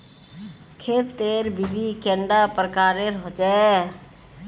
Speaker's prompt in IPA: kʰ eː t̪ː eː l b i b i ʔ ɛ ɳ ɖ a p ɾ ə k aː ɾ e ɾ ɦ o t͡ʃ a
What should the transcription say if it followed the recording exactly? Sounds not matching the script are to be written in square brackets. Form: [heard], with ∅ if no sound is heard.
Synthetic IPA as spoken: kʰ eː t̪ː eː [ɾ] b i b i [k] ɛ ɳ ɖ a p ɾ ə k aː ɾ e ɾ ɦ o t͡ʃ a